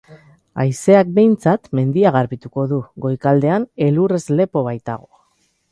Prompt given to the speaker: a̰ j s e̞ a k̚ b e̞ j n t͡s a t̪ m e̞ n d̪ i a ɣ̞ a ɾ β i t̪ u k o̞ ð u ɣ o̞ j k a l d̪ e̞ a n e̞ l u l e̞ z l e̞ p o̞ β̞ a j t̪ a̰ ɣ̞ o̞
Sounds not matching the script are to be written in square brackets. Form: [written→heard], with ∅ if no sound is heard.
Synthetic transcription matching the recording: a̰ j s e̞ a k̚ b e̞ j n t͡s a t̪ m e̞ n d̪ i a ɣ̞ a ɾ β i t̪ u k o̞ ð u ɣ o̞ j k a l d̪ e̞ a n e̞ l u [l→r] e̞ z l e̞ p o̞ β̞ a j t̪ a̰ ɣ̞ o̞